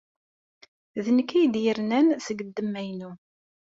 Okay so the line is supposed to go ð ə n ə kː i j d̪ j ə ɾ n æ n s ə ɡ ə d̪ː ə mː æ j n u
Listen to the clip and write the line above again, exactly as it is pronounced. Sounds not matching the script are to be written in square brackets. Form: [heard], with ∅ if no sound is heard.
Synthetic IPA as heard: ð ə n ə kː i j d̪ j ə ɾ n æ n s ə ɡ ə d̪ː ə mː æ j n u